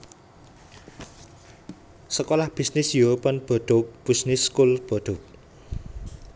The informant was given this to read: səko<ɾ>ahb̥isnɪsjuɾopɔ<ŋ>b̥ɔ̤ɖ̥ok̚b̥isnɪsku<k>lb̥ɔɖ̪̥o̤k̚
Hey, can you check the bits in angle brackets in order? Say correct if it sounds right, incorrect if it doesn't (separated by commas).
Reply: incorrect, incorrect, incorrect